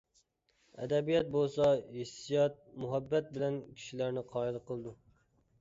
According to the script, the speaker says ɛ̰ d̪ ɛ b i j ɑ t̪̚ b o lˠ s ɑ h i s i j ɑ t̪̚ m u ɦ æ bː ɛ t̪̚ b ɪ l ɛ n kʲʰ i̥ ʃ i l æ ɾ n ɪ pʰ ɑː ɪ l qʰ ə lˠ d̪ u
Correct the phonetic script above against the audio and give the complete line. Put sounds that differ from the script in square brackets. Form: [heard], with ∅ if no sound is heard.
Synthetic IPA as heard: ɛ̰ d̪ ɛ b i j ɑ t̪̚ b o lˠ s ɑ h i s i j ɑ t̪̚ m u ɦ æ bː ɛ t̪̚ b ɪ l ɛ n kʲʰ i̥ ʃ i l æ ɾ n ɪ [qʰ] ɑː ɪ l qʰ ə lˠ d̪ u